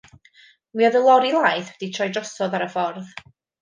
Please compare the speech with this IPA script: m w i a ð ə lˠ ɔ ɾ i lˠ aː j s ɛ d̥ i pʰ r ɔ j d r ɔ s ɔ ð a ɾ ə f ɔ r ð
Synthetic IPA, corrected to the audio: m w i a ð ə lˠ ɔ ɾ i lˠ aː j θ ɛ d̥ i tʰ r ɔ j d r ɔ s ɔ ð a ɾ ə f ɔ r ð